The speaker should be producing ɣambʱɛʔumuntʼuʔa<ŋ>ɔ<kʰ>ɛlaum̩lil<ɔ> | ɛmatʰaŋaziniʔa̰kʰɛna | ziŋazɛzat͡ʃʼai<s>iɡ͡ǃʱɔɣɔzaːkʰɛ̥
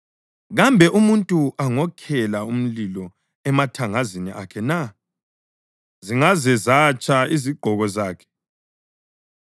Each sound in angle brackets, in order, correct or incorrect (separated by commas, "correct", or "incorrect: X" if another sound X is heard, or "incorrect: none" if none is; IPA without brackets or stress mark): correct, correct, correct, incorrect: z